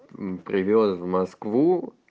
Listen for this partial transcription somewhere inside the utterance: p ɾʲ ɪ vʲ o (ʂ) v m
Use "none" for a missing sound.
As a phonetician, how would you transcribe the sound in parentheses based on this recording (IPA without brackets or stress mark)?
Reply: s